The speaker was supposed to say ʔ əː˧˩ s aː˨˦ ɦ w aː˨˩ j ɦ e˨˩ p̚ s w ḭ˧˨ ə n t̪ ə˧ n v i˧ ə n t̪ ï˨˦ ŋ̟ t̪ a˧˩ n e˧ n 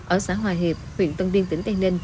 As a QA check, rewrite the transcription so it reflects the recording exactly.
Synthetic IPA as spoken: ʔ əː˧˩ s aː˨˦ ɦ w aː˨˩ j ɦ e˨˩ p̚ h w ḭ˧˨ ə n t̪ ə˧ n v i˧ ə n t̪ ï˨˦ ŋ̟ t̪ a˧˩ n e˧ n